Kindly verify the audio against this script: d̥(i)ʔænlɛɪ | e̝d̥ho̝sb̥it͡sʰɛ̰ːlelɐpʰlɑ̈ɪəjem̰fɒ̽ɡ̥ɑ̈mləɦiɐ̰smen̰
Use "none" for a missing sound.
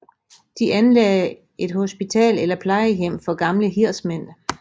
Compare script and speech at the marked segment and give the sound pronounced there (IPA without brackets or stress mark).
i